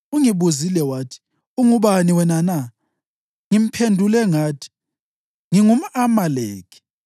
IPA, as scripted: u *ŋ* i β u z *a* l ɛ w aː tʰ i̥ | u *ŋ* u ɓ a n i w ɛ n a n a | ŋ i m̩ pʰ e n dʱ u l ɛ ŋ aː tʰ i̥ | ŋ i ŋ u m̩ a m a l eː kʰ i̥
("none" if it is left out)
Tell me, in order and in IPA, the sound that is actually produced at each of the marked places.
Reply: ŋ, i, ŋ

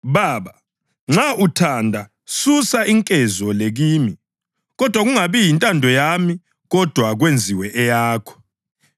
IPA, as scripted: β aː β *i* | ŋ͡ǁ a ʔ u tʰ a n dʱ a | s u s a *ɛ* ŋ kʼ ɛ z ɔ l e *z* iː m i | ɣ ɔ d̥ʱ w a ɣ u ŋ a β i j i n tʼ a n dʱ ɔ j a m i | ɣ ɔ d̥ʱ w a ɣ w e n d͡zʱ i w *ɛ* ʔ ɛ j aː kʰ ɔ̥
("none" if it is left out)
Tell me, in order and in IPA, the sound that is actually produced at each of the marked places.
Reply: a, i, ɣ, ɛ

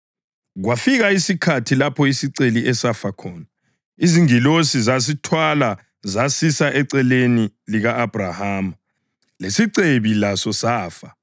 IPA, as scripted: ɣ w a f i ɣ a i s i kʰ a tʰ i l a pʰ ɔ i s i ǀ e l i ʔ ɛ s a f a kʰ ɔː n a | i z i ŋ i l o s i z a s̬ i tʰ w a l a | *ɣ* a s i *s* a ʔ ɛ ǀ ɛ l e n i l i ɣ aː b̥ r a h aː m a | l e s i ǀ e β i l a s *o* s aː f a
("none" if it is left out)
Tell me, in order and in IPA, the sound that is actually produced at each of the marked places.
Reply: z, s, ɔ

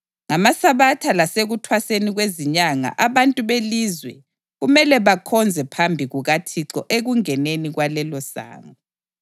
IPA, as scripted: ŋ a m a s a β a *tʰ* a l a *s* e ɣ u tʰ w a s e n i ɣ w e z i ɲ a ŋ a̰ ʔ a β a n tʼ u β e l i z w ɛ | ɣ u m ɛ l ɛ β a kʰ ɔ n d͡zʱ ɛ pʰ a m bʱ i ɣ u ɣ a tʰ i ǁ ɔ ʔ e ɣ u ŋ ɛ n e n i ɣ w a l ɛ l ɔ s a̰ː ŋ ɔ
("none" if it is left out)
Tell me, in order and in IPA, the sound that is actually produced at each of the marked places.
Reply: tʰ, s

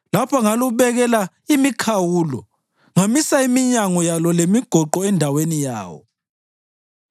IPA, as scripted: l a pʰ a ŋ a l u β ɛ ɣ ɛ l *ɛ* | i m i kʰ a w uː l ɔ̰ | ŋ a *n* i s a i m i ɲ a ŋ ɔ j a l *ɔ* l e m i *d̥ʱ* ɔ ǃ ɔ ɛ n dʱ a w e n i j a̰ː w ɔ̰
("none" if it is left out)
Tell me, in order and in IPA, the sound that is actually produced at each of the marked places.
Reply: a, m, ɔ, ɡ̥ʱ

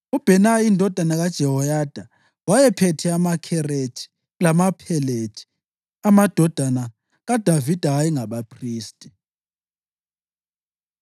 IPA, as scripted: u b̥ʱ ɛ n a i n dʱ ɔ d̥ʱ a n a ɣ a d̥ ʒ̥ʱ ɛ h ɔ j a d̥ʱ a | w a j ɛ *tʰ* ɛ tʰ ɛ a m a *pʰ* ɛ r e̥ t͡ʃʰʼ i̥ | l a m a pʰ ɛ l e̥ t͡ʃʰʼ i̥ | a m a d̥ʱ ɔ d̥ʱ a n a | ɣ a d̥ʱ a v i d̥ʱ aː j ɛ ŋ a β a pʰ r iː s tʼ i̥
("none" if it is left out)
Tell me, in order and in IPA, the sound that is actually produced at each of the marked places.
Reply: pʰ, kʰ

